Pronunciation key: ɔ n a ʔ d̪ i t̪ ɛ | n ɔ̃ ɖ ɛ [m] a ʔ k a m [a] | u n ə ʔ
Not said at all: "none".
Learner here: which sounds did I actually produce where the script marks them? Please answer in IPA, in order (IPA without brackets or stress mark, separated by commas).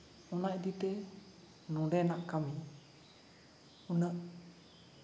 n, i